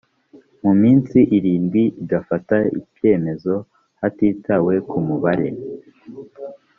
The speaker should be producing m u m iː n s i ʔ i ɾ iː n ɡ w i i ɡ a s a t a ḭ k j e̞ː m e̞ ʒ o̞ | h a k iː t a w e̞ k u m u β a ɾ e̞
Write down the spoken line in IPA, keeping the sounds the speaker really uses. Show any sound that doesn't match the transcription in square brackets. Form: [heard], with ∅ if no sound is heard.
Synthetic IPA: m u m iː n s i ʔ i ɾ iː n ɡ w i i ɡ a [f] a t a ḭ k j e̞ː m e̞ [z] o̞ | h a [t] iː t a w e̞ k u m u β a ɾ e̞